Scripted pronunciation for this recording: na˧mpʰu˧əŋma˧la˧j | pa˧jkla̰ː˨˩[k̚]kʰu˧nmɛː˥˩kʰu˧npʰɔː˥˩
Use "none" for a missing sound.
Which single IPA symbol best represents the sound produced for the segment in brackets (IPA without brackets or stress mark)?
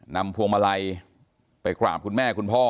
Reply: p̚